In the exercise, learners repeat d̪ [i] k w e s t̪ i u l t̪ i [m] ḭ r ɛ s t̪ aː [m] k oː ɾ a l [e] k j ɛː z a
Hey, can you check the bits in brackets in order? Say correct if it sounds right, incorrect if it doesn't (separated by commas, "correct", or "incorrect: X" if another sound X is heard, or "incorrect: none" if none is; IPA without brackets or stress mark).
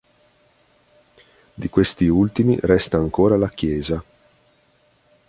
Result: correct, correct, incorrect: ŋ, incorrect: a